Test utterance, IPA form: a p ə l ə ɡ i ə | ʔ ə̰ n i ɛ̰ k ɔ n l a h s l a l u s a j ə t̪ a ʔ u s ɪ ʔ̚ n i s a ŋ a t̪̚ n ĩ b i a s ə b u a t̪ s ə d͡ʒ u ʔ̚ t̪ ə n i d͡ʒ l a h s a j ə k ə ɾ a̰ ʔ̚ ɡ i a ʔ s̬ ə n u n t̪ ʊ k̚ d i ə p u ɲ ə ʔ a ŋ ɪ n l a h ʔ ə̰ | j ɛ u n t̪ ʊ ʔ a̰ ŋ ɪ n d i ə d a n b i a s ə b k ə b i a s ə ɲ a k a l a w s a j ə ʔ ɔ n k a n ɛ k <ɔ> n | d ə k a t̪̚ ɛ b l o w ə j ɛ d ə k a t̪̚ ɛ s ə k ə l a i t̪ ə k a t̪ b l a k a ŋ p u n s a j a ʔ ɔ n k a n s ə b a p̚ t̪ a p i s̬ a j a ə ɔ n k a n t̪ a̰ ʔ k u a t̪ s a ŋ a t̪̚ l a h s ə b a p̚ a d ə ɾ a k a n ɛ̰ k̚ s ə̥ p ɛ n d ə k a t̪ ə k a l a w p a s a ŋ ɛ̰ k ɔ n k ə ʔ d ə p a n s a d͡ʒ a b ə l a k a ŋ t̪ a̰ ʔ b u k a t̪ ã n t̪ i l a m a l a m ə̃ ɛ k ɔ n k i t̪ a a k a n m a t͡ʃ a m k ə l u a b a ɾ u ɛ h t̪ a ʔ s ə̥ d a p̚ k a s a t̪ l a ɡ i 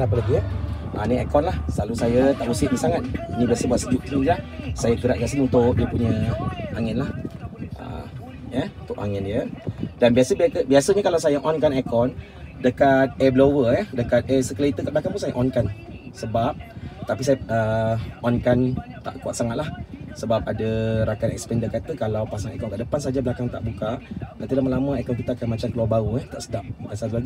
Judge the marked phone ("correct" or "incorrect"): correct